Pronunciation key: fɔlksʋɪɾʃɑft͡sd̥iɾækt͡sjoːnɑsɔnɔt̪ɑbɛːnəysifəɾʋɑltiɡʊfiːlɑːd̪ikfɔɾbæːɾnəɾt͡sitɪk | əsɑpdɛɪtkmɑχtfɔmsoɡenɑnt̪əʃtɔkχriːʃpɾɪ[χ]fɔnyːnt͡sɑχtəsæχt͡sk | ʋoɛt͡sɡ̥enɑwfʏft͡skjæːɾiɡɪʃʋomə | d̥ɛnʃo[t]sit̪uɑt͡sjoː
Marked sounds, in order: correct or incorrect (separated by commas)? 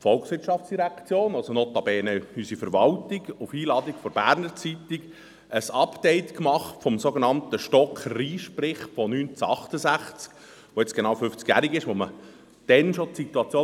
correct, correct